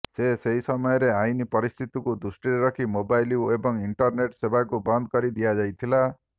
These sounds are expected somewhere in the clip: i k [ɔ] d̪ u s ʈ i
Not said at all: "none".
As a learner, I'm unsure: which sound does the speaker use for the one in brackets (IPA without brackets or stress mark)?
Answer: u